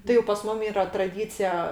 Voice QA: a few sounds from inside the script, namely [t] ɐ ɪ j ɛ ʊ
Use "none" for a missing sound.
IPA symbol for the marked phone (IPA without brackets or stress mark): t